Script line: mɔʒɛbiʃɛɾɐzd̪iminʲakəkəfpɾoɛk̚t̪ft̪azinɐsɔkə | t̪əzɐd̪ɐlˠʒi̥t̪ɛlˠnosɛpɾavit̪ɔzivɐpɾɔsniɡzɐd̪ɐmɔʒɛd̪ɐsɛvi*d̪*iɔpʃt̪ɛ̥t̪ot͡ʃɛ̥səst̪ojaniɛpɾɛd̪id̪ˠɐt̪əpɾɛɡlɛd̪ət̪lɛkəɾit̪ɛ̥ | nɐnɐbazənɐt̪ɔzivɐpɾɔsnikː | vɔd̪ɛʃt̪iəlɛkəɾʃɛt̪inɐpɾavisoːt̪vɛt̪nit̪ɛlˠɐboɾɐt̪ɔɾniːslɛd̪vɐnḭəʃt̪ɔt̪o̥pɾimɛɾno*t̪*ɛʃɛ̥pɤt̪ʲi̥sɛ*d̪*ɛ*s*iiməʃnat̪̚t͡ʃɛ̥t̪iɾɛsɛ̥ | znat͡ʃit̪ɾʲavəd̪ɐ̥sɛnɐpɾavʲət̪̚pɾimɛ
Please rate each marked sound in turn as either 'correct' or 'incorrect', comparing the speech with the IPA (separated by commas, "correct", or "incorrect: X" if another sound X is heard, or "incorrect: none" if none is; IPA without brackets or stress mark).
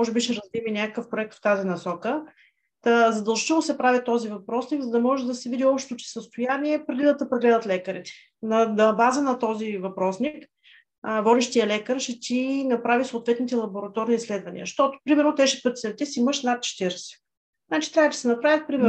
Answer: correct, correct, incorrect: t̪, correct